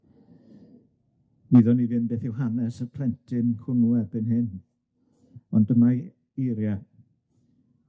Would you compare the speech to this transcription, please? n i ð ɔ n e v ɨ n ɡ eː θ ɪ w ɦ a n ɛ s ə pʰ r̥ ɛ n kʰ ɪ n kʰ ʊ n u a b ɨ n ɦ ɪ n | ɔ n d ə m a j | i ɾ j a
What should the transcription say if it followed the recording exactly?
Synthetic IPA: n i ð ɔ n i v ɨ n b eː θ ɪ w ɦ a n ɛ s ə pʰ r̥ ɛ n tʰ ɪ n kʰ ʊ n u ɛ b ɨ n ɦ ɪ n | ɔ n d ə m a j | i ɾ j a